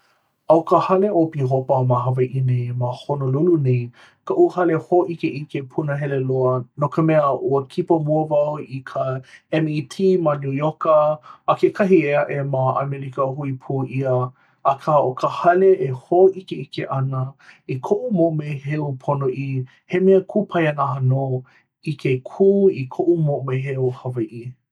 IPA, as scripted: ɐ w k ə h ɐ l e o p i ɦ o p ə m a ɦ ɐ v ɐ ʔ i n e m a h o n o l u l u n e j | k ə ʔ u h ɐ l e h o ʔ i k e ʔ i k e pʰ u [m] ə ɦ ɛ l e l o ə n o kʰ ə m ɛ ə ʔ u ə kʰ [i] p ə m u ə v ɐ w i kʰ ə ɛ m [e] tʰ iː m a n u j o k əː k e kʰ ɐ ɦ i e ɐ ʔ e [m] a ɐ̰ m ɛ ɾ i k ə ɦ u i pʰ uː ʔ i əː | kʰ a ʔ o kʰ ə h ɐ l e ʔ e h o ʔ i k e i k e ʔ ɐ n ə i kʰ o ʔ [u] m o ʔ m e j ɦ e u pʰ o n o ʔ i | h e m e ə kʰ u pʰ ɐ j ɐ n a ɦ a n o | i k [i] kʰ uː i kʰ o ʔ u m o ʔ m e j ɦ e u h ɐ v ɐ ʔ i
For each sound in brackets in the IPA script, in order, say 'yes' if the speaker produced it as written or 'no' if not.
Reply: no, yes, no, yes, yes, no

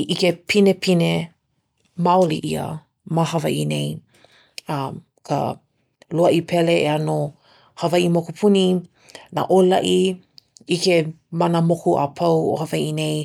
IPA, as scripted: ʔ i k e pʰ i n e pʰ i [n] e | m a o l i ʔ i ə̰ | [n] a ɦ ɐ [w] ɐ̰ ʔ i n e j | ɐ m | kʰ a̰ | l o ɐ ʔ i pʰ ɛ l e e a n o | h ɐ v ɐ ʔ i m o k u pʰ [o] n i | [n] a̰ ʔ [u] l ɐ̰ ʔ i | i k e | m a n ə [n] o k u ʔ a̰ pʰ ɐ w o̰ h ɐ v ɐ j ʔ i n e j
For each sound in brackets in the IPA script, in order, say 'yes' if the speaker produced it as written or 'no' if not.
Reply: yes, no, no, no, yes, no, no

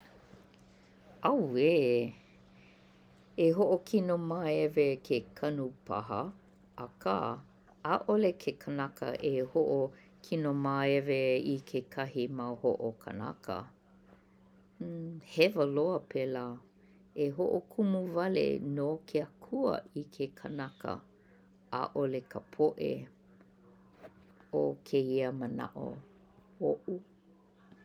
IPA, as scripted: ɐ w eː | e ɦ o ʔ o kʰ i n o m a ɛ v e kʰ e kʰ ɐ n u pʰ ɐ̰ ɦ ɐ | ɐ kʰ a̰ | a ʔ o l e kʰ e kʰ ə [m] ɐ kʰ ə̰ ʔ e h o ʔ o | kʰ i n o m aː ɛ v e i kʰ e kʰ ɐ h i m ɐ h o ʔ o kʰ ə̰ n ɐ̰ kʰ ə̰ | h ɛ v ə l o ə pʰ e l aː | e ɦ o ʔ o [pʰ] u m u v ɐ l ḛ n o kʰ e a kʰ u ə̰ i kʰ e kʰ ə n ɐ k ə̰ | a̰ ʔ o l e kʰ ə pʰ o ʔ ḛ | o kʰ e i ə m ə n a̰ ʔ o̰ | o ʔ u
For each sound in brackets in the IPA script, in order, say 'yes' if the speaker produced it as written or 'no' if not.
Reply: no, no

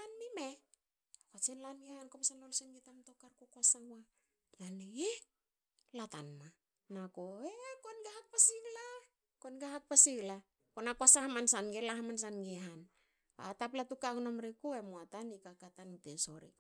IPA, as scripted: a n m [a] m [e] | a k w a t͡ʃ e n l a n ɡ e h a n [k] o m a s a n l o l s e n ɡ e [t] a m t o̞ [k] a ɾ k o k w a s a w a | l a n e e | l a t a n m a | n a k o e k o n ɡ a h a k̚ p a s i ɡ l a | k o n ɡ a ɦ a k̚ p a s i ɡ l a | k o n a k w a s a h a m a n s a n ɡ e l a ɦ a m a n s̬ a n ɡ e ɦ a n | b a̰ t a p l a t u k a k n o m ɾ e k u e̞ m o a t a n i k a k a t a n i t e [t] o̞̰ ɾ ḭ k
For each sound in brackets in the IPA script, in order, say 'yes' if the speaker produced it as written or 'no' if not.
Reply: no, yes, yes, yes, yes, no

